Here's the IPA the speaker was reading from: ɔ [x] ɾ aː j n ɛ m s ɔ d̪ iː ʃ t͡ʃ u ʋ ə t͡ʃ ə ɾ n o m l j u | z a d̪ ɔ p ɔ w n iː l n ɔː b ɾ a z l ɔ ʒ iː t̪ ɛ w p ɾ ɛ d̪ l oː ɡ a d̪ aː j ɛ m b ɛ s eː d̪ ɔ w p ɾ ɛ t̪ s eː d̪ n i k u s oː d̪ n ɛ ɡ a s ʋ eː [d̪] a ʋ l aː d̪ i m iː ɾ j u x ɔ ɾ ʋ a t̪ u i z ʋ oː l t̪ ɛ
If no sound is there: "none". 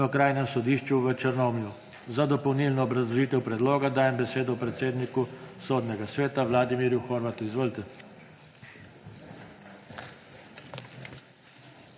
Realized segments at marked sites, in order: k, t̪

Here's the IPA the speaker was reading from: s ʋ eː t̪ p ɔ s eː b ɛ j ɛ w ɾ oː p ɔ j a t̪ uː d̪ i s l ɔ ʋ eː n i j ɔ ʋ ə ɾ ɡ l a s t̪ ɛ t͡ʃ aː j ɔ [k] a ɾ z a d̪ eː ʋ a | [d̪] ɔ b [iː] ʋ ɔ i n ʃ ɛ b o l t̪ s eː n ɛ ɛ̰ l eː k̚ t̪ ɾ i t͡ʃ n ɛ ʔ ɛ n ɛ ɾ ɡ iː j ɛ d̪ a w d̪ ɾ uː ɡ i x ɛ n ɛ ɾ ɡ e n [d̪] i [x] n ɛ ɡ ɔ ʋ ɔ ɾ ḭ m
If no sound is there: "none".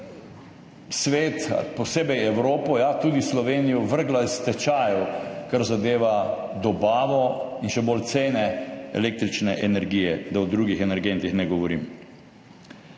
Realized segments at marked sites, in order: k, d̪, aː, t̪, x

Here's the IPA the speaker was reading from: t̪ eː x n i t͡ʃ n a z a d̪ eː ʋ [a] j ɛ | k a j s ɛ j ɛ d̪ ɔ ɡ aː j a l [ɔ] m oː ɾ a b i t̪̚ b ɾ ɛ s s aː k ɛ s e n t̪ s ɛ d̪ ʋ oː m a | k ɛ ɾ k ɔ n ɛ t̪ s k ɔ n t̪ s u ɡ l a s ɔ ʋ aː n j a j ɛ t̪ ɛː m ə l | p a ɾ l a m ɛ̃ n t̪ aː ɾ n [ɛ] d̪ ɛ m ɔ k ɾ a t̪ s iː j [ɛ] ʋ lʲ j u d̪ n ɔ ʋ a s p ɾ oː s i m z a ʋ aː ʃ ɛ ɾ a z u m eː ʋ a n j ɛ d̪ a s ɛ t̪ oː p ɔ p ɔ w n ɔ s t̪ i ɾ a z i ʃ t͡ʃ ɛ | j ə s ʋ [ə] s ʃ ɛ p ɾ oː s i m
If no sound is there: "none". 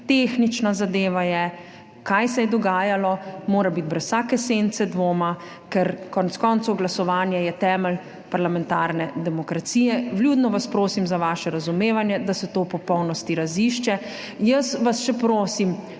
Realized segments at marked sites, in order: a, ɔ, ɛ, ɛ, a

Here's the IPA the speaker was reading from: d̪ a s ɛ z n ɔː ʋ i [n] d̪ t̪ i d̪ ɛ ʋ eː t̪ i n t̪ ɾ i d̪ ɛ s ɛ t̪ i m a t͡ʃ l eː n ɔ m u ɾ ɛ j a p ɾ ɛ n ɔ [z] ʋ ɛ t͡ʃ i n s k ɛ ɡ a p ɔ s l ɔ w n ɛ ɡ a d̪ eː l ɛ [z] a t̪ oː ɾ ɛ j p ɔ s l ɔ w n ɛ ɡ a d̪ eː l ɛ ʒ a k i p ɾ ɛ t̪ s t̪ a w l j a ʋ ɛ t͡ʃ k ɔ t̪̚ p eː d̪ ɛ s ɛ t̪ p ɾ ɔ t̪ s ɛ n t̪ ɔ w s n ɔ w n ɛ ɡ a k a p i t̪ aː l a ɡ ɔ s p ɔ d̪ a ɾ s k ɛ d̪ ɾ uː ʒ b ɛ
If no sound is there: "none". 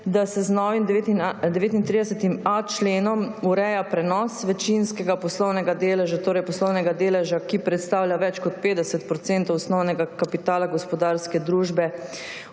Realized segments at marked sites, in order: m, s, ʒ

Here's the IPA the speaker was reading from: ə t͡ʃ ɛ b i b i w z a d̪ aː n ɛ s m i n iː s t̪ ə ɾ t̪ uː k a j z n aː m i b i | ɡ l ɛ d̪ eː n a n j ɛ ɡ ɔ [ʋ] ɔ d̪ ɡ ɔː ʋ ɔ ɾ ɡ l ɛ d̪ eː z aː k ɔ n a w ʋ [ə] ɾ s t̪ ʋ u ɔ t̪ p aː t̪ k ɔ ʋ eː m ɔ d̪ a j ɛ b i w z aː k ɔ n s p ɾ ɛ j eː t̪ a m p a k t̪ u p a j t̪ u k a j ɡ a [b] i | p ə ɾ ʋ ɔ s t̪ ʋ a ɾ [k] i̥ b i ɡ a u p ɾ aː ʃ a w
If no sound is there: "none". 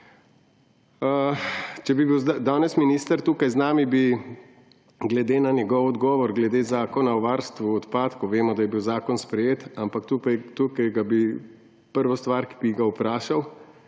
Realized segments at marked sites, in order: w, a, b, k

